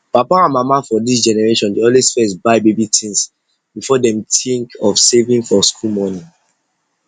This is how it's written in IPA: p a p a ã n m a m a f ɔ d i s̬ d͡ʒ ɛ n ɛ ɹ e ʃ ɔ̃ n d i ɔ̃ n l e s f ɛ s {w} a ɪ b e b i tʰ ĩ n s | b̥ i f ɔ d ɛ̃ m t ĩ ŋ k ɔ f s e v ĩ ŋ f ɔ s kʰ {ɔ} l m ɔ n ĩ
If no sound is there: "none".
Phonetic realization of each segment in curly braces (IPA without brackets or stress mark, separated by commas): b, u